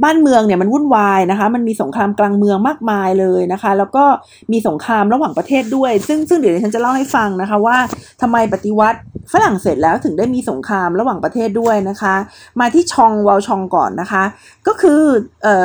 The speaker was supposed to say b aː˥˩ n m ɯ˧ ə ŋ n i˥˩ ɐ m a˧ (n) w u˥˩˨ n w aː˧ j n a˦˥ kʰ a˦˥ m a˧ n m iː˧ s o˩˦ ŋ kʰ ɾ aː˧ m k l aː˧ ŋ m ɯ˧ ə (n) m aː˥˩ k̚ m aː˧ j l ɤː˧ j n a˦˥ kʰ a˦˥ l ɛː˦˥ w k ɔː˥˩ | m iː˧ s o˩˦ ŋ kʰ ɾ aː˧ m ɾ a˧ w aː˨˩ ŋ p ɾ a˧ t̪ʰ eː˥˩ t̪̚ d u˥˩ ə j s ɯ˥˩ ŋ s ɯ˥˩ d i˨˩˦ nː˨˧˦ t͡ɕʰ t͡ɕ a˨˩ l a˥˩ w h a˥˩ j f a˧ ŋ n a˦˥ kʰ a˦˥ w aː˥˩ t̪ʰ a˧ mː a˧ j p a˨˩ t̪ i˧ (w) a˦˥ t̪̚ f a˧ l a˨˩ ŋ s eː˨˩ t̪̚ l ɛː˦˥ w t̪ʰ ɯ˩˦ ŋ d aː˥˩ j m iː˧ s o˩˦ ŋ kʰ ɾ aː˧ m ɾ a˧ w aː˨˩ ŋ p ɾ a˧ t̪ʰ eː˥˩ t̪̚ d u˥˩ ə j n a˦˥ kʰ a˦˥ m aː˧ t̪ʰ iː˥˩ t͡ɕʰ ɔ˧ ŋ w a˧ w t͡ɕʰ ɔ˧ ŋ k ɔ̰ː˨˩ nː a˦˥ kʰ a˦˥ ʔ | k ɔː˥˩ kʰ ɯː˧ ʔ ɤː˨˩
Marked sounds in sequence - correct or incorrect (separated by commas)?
correct, incorrect, correct